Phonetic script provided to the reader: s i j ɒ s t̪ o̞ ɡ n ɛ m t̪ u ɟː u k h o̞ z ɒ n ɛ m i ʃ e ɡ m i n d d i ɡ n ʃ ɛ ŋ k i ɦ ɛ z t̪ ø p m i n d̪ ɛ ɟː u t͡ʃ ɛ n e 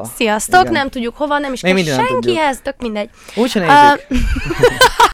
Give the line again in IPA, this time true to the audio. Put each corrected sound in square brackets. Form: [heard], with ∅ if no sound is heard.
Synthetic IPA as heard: s i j ɒ s t̪ o̞ [k] n ɛ m t̪ u ɟː u k h o̞ [v] ɒ n ɛ m i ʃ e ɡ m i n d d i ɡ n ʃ ɛ ŋ k i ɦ ɛ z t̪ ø [k] m i n d̪ ɛ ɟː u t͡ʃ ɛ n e